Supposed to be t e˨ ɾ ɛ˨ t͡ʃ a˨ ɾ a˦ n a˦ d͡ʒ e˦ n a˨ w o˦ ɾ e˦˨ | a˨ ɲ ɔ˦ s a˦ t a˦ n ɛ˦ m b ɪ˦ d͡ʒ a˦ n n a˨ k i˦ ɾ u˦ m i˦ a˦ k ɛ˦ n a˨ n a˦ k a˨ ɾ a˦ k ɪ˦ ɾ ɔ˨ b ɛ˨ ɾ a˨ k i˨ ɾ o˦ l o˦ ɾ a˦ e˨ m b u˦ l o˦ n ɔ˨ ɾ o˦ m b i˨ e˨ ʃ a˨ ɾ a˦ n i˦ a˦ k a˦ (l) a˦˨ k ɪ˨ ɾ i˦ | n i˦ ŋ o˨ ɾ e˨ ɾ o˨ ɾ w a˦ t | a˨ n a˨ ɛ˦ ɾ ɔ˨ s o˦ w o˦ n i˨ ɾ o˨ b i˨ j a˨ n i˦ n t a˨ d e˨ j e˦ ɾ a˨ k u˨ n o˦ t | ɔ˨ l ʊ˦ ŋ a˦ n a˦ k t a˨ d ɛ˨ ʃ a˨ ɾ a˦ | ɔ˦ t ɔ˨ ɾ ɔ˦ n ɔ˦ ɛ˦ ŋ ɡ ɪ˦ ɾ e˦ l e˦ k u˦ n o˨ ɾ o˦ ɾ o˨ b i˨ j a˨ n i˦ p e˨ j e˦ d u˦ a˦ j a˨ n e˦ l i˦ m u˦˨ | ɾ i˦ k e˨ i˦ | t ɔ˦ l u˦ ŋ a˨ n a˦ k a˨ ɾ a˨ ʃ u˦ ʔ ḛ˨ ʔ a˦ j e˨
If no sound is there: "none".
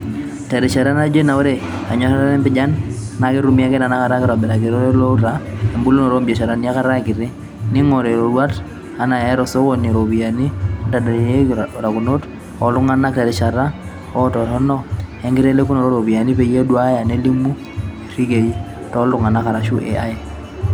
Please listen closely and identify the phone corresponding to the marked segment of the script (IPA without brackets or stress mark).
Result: ɾ